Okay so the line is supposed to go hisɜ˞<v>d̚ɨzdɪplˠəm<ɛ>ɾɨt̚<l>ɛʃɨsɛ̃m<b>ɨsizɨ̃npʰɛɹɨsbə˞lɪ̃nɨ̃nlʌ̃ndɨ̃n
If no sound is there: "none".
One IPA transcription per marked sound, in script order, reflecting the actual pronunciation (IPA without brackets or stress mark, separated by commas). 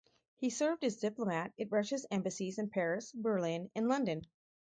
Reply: v, æ, ɹ, b